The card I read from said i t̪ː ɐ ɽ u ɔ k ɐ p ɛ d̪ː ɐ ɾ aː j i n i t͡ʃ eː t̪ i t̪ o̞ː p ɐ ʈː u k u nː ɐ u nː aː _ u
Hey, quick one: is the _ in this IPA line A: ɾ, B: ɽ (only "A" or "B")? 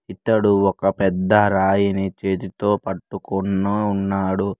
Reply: B